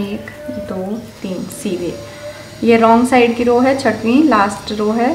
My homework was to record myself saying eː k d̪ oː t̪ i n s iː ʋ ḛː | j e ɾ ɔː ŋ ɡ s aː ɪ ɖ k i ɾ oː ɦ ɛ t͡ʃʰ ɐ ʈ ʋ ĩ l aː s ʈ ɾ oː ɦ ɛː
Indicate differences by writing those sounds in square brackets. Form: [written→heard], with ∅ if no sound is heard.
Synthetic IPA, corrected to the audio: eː k d̪ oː t̪ [i→iː] n s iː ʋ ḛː | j e ɾ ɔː ŋ ɡ s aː ɪ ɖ k i ɾ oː ɦ ɛ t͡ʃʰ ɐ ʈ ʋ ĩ l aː s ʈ ɾ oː ɦ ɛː